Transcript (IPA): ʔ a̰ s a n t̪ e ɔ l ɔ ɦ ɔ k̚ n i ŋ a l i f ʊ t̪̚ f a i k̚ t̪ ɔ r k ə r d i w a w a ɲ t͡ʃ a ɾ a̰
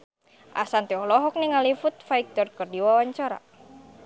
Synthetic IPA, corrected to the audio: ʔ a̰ s a n t̪ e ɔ l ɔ ɦ ɔ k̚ n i ŋ a l i f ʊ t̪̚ f a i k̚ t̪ ɔ r k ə r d i w a w a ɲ t͡ʃ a ɾ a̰